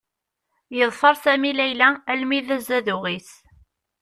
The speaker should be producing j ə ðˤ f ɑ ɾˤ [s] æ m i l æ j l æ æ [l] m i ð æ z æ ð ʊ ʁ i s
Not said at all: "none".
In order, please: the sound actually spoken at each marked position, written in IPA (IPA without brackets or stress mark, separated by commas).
s, l